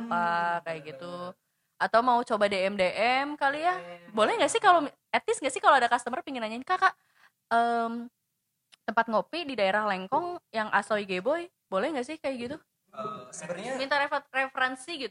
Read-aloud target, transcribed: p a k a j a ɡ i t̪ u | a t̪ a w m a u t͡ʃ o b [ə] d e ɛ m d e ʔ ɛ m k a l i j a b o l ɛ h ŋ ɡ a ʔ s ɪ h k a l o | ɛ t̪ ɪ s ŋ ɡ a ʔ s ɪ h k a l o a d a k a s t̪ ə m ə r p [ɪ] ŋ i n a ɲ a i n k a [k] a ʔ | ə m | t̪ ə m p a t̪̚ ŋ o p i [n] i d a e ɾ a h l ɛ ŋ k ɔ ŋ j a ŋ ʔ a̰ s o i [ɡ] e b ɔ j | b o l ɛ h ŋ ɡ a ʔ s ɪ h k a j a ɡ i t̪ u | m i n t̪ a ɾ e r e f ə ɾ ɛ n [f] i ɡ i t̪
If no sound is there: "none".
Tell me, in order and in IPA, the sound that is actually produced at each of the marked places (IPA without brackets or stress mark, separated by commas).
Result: a, i, k, d, ɡ, s